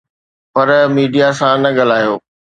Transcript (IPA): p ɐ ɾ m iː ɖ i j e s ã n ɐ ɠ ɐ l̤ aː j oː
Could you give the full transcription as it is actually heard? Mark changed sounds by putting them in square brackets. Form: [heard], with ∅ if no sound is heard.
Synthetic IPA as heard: p ɐ ɾ m iː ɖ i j [a] s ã n ɐ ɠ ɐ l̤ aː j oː

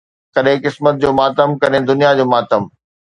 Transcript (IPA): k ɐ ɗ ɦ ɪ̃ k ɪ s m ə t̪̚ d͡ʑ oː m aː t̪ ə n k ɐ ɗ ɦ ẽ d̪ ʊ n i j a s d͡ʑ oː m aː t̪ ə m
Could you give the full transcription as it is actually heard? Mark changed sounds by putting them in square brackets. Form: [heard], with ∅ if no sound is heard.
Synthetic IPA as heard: k ɐ ɗ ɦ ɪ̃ k ɪ s m ə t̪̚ d͡ʑ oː m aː t̪ ə [m] k ɐ ɗ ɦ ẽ d̪ ʊ n i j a [∅] d͡ʑ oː m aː t̪ ə m

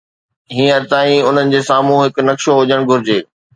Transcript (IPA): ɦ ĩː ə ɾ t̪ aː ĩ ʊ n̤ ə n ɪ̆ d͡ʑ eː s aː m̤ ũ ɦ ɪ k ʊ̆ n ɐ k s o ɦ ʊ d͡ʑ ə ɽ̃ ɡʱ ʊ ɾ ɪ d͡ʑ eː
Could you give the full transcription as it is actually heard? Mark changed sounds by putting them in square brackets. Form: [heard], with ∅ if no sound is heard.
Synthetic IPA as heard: ɦ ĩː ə ɾ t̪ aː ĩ ʊ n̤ ə n ɪ̆ d͡ʑ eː s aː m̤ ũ ɦ ɪ k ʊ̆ n ɐ k [ʃ] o ɦ ʊ d͡ʑ ə ɽ̃ ɡʱ ʊ ɾ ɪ d͡ʑ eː

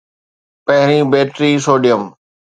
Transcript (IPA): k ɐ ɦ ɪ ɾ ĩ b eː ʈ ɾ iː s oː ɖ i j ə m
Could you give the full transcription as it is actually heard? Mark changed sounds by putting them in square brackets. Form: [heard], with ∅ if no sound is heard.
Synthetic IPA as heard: [p] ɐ ɦ ɪ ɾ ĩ b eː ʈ ɾ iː s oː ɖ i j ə m

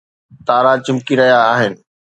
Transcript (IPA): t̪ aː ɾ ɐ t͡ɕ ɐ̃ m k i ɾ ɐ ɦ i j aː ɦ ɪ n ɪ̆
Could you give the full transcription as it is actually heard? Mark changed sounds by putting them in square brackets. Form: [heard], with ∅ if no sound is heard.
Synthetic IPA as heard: t̪ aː ɾ [a] t͡ɕ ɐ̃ m k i ɾ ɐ ɦ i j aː ɦ ɪ n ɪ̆

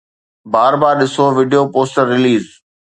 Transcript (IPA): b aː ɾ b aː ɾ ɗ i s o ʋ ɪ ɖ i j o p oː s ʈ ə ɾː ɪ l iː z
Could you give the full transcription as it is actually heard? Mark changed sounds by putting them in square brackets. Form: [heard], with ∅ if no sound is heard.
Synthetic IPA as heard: b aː ɾ b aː ɾ ɗ [ɪ] s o ʋ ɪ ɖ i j o p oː s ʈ ə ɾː ɪ l iː z

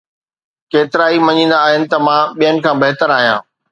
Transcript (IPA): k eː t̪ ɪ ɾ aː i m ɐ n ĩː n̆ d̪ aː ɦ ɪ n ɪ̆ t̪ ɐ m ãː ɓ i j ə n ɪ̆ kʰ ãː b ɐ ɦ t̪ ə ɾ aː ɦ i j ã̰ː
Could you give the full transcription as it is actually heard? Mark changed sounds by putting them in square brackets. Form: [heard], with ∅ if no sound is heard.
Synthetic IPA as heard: k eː t̪ ɪ ɾ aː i m ɐ [ɲ] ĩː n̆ d̪ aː ɦ ɪ n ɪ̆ t̪ ɐ m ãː ɓ i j ə n ɪ̆ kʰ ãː b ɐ ɦ t̪ ə ɾ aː ɦ i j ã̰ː

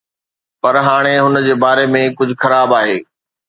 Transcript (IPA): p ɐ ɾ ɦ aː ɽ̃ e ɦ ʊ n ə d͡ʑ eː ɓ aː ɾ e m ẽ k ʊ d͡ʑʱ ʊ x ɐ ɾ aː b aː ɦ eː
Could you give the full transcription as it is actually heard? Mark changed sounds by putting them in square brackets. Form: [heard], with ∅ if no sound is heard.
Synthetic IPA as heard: p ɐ ɾ ɦ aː ɽ̃ e ɦ ʊ n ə d͡ʑ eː [b] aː ɾ e m ẽ k ʊ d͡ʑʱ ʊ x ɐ ɾ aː b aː ɦ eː

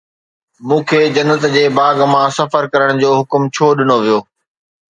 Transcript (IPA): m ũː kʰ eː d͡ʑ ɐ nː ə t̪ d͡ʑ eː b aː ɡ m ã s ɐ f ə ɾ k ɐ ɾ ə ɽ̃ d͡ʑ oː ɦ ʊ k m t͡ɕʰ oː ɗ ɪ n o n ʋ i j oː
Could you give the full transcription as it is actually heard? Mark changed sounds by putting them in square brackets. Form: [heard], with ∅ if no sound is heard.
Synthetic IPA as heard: m ũː kʰ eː d͡ʑ ɐ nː ə t̪ d͡ʑ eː b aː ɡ m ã s ɐ f ə ɾ k ɐ ɾ ə ɽ̃ d͡ʑ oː ɦ ʊ k m t͡ɕʰ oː ɗ ɪ n o [∅] ʋ i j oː

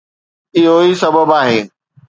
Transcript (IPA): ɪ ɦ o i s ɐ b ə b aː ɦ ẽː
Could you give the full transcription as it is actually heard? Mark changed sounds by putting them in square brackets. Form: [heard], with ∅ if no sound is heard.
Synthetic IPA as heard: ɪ ɦ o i s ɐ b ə b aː ɦ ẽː

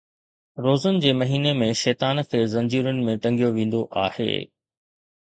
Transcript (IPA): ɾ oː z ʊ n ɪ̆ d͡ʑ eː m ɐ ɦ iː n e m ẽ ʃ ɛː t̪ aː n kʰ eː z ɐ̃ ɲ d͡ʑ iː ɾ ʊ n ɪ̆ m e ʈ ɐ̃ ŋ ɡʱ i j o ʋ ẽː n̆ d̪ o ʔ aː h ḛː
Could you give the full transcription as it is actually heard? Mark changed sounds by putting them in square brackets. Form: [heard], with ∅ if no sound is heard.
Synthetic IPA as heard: ɾ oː z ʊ n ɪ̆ d͡ʑ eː m ɐ ɦ iː n e m ẽ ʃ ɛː t̪ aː n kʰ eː z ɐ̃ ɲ d͡ʑ iː ɾ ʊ n ɪ̆ m [ẽ] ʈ ɐ̃ ŋ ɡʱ i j o ʋ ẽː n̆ d̪ o ʔ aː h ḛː

